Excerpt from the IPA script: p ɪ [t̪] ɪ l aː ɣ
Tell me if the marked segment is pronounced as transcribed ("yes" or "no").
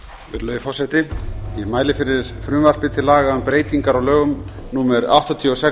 no